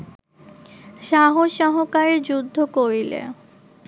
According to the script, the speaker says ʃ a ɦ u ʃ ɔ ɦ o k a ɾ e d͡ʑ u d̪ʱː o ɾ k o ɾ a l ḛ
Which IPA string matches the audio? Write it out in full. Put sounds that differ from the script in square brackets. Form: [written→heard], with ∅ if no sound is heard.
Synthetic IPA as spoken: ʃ a ɦ [u→o] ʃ ɔ ɦ o k a ɾ e d͡ʑ u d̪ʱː o [ɾ→∅] k o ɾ [a→i] l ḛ